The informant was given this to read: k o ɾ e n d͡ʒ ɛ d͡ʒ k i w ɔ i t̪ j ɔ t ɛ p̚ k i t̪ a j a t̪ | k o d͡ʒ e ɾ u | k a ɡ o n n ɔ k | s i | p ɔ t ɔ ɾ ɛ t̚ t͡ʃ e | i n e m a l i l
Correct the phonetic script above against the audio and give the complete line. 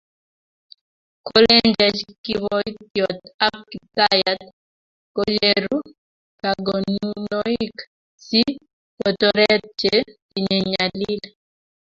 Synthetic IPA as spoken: k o l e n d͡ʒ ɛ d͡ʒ k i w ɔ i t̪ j ɔ t a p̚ k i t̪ a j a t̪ | k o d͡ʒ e ɾ u | k a ɡ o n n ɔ k | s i | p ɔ t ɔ ɾ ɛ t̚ t͡ʃ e | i ɲ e ɲ a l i l